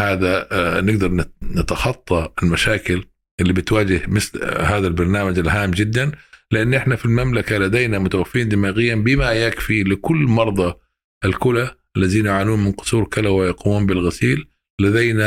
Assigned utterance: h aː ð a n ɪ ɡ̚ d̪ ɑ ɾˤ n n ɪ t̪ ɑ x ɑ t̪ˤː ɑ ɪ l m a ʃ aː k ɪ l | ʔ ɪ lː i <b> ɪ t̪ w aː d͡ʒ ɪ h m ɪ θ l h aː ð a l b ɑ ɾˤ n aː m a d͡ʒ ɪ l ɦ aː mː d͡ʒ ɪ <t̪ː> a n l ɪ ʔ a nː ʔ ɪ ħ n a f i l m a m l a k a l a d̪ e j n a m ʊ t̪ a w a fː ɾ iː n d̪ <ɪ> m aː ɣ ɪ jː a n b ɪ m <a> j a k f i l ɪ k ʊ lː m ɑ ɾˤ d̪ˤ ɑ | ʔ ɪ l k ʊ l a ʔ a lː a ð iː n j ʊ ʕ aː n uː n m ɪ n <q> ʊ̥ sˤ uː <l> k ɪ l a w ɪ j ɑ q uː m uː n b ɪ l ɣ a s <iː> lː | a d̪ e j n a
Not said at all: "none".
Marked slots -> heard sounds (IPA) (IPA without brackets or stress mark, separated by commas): b, d̪ː, ɪ, a, q, ɾ, iː